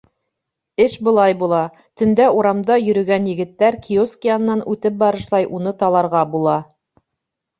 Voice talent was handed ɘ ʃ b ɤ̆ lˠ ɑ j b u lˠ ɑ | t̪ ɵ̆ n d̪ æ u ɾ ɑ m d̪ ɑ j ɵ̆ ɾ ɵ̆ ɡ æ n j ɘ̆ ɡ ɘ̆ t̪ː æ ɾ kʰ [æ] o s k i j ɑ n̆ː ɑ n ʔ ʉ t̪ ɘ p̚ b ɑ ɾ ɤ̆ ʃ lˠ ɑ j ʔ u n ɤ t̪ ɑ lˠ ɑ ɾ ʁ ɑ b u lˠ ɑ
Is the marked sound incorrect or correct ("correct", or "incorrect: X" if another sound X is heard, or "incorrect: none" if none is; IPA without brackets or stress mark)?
incorrect: i